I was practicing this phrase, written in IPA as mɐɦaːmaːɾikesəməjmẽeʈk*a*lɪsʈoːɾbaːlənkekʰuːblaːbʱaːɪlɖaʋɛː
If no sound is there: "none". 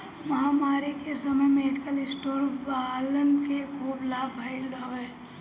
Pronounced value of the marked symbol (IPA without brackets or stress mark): ə